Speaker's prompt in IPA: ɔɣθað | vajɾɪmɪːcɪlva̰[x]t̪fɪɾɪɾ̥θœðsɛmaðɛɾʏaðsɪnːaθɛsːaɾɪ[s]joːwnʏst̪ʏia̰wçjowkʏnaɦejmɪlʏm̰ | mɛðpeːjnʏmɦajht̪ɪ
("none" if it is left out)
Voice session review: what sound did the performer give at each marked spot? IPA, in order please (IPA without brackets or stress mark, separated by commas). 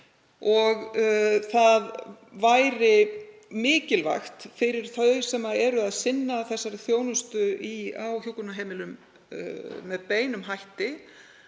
x, θ